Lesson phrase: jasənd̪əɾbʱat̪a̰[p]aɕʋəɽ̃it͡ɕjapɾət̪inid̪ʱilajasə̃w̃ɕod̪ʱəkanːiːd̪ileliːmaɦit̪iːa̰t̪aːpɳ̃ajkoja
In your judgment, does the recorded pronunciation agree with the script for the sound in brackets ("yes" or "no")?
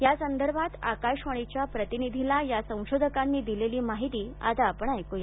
no